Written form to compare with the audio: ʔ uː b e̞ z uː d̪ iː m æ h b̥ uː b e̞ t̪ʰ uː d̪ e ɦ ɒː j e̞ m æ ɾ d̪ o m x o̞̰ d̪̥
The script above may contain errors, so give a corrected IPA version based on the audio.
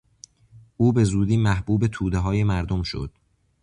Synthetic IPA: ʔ uː b e̞ z uː d̪ iː m æ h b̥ uː b e̞ t̪ʰ uː d̪ e ɦ ɒː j e̞ m æ ɾ d̪ o m ʃ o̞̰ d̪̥